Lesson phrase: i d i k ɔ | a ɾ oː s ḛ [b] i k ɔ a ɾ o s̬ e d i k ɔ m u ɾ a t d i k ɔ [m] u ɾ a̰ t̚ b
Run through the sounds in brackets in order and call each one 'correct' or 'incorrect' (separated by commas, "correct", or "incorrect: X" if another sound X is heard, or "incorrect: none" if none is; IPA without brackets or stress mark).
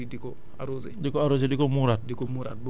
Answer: incorrect: d, correct